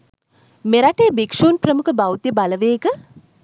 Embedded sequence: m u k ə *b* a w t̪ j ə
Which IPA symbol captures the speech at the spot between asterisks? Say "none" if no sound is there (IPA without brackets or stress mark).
b